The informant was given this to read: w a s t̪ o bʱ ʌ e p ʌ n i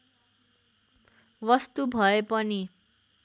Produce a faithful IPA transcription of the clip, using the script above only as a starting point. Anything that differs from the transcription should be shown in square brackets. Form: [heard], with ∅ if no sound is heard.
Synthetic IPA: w [ʌ] s t̪ [u] bʱ ʌ e p ʌ n i